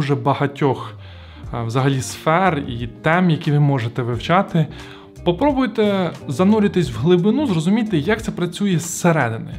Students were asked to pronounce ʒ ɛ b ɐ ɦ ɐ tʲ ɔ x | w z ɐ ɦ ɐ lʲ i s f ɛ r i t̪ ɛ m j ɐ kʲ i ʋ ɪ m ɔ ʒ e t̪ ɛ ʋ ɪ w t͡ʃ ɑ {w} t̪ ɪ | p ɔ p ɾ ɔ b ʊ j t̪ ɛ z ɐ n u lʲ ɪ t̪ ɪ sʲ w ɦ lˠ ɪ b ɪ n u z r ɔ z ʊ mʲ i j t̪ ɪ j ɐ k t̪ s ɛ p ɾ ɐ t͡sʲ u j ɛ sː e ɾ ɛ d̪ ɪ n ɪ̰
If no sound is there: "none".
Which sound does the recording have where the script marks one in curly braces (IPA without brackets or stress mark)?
none